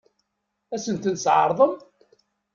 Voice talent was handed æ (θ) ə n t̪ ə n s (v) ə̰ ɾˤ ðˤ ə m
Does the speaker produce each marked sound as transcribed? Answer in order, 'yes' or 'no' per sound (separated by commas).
no, no